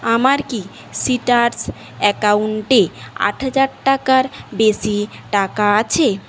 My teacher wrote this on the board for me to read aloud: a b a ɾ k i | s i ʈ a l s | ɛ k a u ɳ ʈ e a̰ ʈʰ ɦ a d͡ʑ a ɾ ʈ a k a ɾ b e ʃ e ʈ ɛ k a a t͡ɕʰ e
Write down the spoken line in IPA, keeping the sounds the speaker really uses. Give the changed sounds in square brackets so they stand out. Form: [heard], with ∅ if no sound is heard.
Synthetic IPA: a [m] a ɾ k i | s i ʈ a [ɾ] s | ɛ k a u ɳ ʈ e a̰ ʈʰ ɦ a d͡ʑ a ɾ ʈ a k a ɾ b e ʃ [i] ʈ [a] k a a t͡ɕʰ e